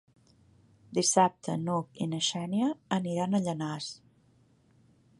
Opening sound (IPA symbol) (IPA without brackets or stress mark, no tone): d̪